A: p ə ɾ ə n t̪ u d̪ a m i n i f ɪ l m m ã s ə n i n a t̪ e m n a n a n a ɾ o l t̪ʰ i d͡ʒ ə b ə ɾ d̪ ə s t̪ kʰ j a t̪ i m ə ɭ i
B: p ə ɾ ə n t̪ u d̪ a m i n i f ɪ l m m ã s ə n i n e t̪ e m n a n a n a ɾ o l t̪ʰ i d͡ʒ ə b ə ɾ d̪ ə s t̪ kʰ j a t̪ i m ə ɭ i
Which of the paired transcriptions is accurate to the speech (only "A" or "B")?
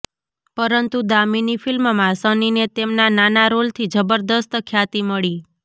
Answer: B